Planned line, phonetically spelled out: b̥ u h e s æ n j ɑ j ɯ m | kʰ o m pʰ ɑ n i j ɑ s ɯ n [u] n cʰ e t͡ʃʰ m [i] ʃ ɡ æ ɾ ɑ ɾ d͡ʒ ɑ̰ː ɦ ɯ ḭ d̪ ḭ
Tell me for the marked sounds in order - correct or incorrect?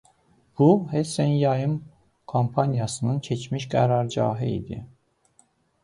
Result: incorrect, correct

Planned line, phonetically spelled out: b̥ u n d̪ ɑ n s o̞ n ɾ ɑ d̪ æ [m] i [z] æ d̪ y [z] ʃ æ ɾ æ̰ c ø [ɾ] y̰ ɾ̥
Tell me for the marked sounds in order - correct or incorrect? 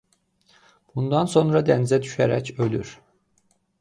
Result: incorrect, correct, incorrect, incorrect

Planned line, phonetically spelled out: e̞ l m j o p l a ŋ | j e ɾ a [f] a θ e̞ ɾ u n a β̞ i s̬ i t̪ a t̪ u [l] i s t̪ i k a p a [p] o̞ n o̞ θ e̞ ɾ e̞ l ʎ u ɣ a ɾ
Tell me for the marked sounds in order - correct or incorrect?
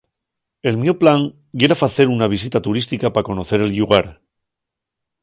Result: correct, incorrect, incorrect

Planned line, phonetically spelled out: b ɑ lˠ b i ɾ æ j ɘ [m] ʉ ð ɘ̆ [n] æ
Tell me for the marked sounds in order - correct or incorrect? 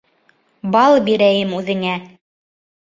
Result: correct, incorrect

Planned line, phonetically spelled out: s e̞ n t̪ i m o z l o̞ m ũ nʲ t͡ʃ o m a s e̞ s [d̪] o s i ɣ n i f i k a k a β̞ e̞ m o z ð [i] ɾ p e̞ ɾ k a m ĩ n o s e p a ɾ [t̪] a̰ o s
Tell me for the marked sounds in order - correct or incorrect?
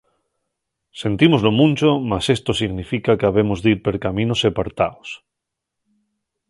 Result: incorrect, correct, correct

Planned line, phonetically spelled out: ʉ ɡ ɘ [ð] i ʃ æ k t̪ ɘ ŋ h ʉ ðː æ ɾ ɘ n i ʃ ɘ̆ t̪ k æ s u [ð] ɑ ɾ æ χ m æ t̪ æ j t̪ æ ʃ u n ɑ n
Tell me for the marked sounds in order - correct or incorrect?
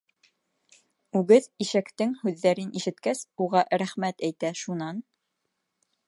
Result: correct, incorrect

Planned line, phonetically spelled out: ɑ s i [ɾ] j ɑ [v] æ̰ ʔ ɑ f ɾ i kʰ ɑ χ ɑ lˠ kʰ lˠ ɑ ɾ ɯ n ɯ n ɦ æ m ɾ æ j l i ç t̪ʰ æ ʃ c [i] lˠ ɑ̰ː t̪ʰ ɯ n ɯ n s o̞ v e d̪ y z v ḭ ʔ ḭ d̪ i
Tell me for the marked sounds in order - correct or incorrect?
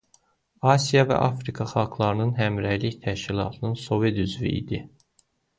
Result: incorrect, correct, correct

